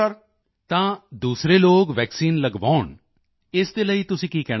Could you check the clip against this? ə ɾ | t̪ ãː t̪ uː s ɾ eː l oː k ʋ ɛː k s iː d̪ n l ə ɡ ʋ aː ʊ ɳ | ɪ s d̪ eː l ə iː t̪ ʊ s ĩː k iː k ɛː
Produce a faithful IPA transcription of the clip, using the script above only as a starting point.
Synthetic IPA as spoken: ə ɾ | t̪ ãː d̪ uː s ɾ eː l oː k ʋ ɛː k s iː n l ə ɡ ʋ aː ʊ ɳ | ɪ s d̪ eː l ə iː t̪ ʊ s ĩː k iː k ɛː

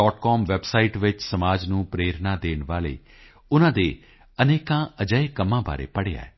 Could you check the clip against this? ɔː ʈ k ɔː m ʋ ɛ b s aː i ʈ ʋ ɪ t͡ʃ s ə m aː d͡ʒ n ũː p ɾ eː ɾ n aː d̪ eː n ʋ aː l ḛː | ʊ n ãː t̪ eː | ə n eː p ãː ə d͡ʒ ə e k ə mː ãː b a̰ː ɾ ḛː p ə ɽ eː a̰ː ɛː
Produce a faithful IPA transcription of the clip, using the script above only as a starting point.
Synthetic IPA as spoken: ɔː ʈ k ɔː m ʋ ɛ b s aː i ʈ ʋ ɪ t͡ʃ s ə m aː d͡ʒ n ũː p ɾ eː ɾ n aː d̪ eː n ʋ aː l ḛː | ʊ n ãː d̪ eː | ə n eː k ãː ə d͡ʒ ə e k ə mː ãː b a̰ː ɾ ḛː p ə ɽ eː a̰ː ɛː

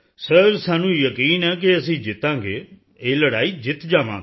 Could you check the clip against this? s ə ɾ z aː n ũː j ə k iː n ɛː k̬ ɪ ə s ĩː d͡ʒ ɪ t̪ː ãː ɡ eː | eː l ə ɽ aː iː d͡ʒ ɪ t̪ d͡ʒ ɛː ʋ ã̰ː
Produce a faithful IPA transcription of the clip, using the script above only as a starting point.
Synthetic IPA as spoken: s ə ɾ s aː n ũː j ə k iː n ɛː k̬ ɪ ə s ĩː d͡ʒ ɪ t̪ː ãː ɡ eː | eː l ə ɽ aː iː d͡ʒ ɪ t̪ d͡ʒ aː ʋ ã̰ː

